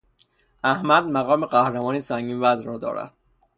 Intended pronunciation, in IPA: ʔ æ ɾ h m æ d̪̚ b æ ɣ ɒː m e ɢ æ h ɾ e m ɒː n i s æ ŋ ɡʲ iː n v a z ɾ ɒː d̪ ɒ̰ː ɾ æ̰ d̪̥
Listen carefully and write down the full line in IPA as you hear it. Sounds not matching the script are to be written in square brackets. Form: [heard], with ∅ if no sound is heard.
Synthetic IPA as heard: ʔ æ [∅] h m æ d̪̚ [m] æ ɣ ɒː m e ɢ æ h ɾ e m ɒː n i s æ ŋ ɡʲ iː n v [æ] z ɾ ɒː d̪ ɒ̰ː ɾ æ̰ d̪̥